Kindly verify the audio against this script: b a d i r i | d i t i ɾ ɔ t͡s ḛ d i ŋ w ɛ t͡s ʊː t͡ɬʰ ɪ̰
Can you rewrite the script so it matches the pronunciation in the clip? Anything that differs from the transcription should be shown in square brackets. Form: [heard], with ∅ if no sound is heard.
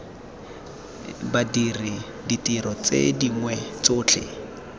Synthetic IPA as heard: b a d i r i | d i t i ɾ ɔ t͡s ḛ d i ŋ w ɛ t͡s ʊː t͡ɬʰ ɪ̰